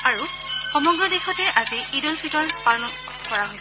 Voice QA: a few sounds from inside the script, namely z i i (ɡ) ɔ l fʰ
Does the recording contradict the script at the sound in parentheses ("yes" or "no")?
yes